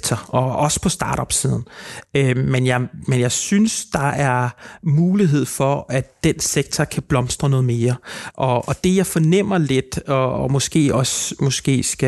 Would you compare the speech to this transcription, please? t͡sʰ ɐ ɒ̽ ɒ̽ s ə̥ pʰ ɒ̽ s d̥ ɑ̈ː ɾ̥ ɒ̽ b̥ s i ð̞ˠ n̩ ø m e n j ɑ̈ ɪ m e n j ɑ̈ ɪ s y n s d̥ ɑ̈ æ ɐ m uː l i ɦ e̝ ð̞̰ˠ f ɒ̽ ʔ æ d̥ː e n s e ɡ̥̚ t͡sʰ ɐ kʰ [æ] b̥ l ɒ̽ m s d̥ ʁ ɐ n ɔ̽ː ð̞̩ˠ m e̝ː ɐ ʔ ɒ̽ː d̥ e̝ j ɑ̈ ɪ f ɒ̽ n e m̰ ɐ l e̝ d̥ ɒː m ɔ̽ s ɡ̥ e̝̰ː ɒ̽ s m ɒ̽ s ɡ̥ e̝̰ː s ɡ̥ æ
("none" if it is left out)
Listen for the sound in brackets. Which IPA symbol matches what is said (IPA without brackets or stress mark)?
æ